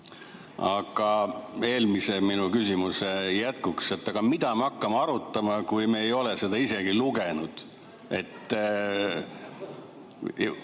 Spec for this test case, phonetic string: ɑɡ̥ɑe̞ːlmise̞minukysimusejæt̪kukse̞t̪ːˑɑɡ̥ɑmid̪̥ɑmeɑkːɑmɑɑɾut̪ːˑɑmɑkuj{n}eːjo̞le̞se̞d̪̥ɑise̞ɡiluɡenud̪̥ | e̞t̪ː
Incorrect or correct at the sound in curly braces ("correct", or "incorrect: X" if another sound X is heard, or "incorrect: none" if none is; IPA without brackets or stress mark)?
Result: incorrect: m